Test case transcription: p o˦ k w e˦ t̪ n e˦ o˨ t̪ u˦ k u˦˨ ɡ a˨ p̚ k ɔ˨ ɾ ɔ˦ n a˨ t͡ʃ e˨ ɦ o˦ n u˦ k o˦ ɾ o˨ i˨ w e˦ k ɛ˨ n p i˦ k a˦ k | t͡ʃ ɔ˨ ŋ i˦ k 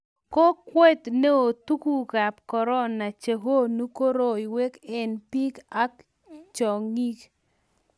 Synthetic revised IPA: k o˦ k w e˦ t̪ n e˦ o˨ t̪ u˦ k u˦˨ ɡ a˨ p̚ k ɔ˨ ɾ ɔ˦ n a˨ t͡ʃ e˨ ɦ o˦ n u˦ k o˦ ɾ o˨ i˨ w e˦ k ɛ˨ n p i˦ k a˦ k | t͡ʃ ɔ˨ ŋ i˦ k